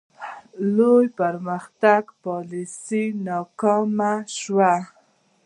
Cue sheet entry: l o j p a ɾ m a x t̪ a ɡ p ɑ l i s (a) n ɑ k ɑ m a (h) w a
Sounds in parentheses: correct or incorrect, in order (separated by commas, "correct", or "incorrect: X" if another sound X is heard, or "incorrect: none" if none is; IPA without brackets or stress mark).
incorrect: i, incorrect: ʃ